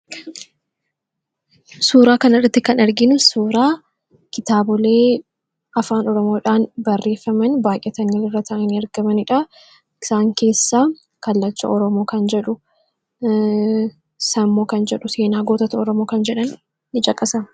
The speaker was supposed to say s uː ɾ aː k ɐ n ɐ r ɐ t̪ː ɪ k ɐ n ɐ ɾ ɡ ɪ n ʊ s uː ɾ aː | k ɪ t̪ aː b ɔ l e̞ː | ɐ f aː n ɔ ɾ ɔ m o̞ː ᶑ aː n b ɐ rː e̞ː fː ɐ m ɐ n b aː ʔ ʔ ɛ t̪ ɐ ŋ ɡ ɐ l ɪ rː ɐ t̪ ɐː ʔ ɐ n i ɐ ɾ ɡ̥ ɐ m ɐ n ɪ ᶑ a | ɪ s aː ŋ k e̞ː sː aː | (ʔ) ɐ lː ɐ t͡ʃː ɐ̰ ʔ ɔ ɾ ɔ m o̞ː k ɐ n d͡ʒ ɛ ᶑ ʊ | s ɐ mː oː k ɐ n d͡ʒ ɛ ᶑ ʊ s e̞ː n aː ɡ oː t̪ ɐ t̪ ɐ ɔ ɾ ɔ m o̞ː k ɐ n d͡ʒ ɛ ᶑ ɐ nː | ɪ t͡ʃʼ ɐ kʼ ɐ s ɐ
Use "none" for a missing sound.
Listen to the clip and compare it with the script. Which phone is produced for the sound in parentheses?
k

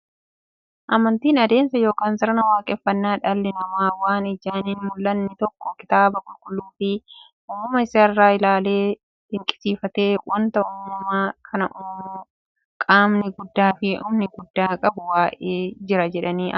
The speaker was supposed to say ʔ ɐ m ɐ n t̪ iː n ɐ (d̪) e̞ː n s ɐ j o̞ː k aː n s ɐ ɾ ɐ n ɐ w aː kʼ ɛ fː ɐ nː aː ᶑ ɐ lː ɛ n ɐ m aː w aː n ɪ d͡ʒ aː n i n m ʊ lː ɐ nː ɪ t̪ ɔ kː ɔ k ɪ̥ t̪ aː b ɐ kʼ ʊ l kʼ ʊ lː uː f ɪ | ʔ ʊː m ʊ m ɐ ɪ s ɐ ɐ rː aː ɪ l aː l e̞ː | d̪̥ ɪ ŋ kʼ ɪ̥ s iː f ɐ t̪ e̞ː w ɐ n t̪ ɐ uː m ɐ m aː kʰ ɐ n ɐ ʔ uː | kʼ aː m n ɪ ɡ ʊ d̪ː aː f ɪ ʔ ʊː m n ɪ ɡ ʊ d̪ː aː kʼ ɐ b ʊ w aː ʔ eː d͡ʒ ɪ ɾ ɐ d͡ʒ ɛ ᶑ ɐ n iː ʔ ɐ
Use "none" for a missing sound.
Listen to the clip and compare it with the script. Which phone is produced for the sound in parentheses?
d̪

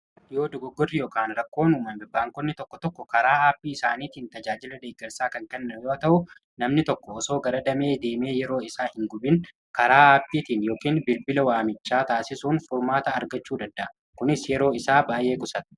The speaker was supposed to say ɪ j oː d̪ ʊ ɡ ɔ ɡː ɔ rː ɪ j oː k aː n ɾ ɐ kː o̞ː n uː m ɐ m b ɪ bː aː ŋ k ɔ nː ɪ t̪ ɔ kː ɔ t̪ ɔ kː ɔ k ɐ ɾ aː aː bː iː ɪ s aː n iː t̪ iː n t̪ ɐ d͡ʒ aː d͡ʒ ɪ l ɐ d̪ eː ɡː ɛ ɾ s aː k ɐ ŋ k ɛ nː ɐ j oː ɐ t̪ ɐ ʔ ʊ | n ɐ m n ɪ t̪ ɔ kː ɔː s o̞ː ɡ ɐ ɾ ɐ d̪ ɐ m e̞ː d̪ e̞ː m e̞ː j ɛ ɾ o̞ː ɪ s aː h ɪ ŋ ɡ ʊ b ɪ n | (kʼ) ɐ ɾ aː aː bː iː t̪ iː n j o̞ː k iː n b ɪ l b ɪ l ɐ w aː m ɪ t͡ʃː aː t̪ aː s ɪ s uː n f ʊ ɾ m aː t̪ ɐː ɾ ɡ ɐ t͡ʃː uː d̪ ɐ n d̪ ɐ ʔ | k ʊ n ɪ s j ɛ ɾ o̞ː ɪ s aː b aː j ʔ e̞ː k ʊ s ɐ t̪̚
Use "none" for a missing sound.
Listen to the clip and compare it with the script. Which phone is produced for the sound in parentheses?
k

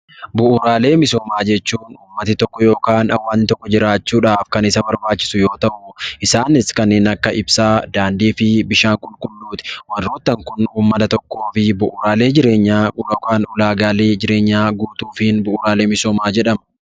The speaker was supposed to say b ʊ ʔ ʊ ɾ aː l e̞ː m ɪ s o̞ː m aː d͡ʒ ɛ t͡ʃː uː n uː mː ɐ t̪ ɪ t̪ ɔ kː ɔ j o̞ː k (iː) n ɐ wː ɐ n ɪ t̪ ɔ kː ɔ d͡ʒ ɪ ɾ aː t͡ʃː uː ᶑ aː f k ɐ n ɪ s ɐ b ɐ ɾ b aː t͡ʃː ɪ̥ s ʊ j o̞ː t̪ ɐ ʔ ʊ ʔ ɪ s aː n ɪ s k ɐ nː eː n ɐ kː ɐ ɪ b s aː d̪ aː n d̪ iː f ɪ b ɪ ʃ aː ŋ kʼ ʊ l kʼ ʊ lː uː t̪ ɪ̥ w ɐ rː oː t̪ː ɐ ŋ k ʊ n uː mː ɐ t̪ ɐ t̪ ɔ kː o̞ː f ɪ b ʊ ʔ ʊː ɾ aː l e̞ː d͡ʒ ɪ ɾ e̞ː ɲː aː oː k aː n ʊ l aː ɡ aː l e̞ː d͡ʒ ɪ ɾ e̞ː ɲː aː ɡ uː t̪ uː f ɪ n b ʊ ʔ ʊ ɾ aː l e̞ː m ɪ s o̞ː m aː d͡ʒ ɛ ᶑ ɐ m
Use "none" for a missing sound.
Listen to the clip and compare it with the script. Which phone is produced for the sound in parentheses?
aː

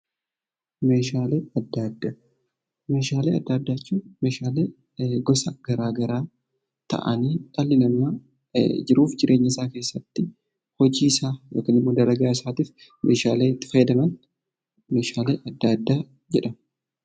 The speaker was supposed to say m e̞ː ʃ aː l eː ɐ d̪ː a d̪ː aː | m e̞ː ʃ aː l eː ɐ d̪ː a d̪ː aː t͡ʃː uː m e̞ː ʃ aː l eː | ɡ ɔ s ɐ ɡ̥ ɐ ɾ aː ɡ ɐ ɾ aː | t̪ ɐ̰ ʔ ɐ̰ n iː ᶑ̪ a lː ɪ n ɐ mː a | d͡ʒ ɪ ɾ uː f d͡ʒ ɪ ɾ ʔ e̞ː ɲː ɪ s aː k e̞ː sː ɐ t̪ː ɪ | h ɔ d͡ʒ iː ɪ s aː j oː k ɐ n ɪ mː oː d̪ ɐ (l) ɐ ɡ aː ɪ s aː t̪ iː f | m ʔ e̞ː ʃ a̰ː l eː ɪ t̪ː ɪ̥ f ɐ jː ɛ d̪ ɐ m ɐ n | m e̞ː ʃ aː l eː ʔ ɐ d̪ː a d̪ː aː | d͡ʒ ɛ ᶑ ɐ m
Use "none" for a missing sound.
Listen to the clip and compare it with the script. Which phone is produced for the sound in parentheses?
ɾ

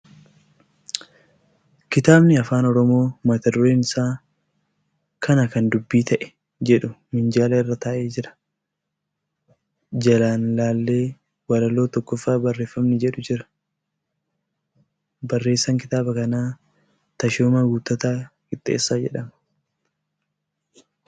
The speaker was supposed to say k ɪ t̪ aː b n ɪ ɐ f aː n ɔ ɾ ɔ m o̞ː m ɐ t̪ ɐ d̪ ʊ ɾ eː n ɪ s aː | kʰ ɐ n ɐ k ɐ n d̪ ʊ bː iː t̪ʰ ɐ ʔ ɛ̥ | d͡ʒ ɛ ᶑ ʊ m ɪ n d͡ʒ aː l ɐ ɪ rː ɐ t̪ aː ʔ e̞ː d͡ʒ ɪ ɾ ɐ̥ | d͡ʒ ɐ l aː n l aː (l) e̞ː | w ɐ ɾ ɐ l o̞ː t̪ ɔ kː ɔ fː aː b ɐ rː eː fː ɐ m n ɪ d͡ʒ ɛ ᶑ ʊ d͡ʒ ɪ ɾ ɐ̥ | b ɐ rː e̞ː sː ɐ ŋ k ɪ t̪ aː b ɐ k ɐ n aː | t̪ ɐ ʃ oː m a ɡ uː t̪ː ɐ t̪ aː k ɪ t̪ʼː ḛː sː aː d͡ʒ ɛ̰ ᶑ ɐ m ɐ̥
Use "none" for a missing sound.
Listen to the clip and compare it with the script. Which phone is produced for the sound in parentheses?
lː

